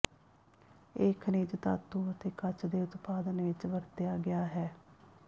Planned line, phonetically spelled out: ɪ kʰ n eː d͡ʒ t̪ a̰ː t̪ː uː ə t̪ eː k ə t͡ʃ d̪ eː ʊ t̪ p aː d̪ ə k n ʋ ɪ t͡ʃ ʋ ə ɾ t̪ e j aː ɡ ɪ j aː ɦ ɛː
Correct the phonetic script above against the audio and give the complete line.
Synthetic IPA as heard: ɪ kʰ n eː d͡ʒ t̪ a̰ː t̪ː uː ə t̪ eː k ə t͡ʃ d̪ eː ʊ t̪ p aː d̪ ə n ʋ ɪ t͡ʃ ʋ ə ɾ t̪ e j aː ɡ ɪ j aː ɦ ɛː